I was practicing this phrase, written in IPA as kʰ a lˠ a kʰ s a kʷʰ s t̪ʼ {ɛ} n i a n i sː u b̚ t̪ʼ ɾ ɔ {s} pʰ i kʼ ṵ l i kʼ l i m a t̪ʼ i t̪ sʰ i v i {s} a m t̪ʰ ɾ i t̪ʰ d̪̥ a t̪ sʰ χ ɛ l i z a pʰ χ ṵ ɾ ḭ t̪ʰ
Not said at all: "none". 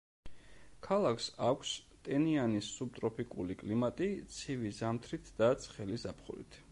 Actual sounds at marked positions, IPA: ɛ, none, z

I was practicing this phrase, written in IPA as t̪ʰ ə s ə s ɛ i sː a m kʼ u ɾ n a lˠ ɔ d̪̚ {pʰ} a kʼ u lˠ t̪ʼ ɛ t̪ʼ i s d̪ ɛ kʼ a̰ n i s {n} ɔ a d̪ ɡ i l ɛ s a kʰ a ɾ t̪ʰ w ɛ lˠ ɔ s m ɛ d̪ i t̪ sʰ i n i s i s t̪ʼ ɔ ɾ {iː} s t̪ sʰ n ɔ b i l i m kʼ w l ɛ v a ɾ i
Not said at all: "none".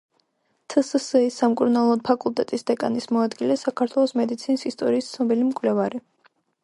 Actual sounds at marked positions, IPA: pʰ, m, iː

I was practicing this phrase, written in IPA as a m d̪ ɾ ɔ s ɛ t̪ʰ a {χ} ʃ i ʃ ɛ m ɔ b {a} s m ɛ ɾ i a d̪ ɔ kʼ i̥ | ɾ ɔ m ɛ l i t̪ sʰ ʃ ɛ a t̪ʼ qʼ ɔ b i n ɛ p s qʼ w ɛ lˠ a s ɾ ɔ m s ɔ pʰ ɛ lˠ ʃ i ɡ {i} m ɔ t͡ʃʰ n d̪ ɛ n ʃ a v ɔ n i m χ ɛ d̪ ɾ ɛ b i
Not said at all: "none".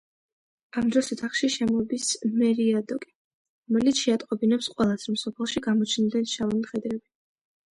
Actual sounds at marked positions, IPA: χ, i, a

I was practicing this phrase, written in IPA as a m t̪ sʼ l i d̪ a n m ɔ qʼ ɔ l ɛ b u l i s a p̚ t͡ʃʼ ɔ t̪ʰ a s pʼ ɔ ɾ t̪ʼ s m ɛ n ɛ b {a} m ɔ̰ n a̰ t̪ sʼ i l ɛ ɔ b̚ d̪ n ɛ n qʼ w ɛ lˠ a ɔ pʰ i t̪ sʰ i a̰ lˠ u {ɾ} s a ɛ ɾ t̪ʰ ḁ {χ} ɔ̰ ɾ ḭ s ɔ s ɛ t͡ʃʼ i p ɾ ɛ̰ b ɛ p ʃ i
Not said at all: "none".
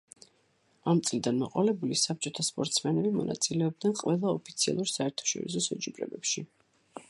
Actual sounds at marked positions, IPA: i, ɾ, ʃ

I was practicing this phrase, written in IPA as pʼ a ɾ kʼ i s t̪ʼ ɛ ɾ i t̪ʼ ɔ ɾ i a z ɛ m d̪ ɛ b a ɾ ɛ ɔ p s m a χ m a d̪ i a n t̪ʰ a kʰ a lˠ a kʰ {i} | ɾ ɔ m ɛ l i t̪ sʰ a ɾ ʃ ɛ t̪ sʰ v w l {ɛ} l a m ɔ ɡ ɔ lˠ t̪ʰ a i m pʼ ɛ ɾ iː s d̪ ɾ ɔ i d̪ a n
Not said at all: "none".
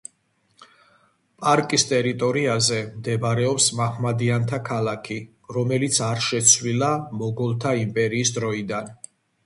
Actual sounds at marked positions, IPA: i, i

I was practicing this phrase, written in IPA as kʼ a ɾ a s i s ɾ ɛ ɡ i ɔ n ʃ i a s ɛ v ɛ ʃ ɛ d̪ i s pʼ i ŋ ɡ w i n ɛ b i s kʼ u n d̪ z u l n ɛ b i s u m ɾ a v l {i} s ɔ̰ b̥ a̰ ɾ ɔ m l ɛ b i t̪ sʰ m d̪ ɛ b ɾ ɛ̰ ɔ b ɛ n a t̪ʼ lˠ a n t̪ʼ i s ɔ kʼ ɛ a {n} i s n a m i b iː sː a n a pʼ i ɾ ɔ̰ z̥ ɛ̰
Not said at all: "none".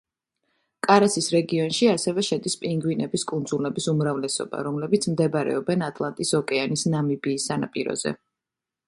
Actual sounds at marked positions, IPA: ɛ, n

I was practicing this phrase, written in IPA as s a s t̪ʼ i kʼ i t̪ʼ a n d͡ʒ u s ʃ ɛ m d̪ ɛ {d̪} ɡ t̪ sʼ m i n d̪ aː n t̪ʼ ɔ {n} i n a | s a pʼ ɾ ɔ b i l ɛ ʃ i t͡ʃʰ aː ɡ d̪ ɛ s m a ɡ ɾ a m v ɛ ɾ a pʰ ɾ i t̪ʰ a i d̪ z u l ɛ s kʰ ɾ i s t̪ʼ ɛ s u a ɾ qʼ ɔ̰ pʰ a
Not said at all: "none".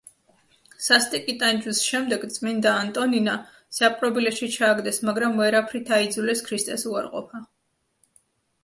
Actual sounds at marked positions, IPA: none, n

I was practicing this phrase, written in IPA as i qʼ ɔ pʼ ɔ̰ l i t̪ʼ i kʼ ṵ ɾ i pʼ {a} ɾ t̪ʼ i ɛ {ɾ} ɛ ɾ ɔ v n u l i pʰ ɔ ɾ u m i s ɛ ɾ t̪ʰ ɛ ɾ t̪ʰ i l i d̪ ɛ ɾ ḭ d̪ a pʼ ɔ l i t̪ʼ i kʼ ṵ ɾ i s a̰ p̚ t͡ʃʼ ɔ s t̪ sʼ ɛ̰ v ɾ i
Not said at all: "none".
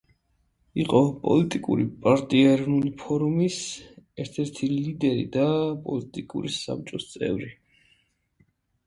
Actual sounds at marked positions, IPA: a, none

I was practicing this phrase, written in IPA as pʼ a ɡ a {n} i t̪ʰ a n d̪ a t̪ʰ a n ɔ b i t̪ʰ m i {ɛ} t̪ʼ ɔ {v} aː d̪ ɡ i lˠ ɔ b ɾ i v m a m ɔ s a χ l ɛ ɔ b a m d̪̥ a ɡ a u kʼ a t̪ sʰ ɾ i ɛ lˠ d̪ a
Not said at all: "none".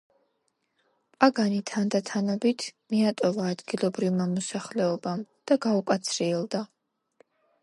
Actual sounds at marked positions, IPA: n, a, v

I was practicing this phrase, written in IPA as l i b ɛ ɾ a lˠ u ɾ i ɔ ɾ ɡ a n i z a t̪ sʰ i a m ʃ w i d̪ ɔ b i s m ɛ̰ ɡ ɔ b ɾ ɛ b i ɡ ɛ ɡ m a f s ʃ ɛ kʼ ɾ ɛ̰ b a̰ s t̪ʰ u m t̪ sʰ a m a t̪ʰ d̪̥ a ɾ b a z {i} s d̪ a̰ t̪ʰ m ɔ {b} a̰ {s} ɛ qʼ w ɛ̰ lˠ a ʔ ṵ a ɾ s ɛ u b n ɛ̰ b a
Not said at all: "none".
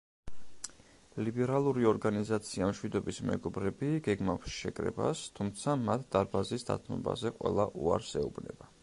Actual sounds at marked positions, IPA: i, b, z

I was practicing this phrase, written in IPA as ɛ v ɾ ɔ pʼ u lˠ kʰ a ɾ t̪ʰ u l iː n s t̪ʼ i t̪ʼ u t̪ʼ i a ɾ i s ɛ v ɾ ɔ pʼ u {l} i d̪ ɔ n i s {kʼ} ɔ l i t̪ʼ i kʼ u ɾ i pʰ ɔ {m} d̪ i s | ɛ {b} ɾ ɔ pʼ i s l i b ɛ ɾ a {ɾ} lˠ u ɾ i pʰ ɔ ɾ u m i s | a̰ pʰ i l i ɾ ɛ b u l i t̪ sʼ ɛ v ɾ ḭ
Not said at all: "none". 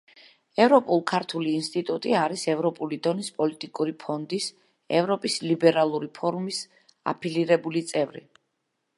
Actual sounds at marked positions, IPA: l, pʼ, n, v, none

